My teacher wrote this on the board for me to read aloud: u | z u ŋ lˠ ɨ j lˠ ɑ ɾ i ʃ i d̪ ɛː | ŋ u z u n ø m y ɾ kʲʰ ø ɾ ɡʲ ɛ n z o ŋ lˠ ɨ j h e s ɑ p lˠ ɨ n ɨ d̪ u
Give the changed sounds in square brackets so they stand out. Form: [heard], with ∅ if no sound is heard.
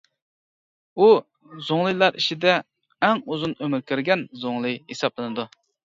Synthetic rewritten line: u | z [o] ŋ lˠ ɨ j lˠ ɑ ɾ i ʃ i d̪ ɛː | ŋ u z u n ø m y ɾ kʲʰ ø ɾ ɡʲ ɛ n z o ŋ lˠ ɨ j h e s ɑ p lˠ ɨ n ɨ d̪ u